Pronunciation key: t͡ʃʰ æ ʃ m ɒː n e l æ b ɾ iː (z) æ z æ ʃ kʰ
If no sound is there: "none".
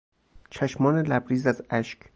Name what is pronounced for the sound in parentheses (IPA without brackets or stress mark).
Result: z